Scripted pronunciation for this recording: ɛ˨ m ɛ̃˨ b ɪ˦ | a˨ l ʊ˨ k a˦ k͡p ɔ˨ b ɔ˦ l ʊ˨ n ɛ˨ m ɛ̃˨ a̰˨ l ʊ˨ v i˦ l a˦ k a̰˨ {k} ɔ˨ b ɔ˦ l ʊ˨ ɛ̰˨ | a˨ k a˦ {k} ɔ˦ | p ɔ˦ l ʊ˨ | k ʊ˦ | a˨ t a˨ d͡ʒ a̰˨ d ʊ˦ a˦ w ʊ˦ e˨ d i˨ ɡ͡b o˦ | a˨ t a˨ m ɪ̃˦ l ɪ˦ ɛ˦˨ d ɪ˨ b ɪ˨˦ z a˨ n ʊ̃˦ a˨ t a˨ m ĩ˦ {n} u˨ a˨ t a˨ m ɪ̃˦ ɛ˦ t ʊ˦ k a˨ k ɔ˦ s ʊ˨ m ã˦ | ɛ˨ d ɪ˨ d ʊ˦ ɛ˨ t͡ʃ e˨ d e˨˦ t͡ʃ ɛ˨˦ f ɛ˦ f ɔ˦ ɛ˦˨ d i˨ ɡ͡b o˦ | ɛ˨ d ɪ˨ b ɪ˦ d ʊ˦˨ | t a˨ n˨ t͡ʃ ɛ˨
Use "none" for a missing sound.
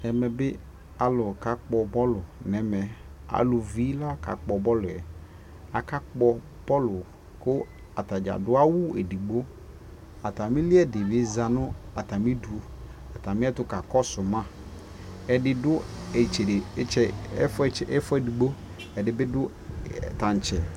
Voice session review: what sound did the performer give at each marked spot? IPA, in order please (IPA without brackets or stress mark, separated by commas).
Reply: k͡p, k͡p, d